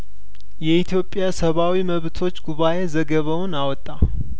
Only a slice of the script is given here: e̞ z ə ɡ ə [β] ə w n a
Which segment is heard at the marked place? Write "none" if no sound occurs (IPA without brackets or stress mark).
β